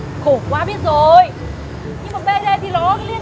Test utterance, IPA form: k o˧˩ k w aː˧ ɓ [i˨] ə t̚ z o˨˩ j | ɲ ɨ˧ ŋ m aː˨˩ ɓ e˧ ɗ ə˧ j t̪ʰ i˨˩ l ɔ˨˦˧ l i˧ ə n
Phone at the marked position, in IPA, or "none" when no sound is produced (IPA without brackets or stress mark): i˦˥